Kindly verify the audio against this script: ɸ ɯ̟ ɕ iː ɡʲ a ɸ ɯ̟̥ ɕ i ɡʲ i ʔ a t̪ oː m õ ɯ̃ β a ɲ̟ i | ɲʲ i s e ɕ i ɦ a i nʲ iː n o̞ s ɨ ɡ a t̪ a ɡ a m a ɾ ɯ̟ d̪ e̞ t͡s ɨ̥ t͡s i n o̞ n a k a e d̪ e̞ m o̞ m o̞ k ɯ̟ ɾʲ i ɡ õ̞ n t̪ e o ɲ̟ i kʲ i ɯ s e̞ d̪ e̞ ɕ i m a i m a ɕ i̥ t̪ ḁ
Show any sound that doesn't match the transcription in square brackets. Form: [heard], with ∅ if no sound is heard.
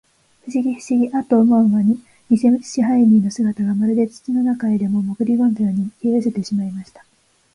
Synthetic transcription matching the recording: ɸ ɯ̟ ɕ [i] ɡʲ [i] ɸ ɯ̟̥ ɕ i ɡʲ i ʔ a t̪ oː m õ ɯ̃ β a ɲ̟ i | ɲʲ i s e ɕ i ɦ a i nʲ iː n o̞ s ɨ ɡ a t̪ a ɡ a m a ɾ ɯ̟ d̪ e̞ t͡s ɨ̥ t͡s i n o̞ n a k a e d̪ e̞ m o̞ m o̞ k ɯ̟ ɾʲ i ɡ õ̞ n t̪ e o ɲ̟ i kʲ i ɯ s e̞ [t̪] e̞ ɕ i m a i m a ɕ i̥ t̪ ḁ

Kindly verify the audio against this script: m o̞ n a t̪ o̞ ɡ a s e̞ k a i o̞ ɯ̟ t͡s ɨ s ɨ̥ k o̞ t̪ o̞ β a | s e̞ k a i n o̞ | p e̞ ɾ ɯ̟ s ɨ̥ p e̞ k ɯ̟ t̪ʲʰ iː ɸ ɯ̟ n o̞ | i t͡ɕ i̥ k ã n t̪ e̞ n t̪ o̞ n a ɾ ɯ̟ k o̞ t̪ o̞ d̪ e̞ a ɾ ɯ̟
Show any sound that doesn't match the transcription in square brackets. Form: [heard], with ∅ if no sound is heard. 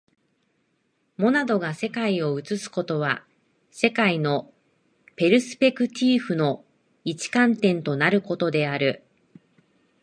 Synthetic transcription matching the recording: m o̞ n a [d̪] o̞ ɡ a s e̞ k a i o̞ ɯ̟ t͡s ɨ s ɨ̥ k o̞ t̪ o̞ β a | s e̞ k a i n o̞ | p e̞ ɾ ɯ̟ s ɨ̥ p e̞ k ɯ̟ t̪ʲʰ iː ɸ ɯ̟ n o̞ | i t͡ɕ i̥ k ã n t̪ [ẽ̞] n t̪ o̞ n a ɾ ɯ̟ k o̞ t̪ o̞ d̪ e̞ a ɾ ɯ̟

